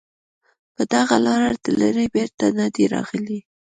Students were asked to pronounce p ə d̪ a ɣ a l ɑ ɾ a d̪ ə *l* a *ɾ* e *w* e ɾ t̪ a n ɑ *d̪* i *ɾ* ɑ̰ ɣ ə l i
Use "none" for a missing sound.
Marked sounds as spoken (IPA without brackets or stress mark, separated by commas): l, ɾ, b, d̪, ɾ